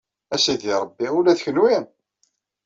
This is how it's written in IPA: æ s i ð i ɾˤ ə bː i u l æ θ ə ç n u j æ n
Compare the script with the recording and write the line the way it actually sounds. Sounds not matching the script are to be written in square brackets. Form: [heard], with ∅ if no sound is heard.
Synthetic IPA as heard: æ s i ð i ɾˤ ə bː i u l æ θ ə ç n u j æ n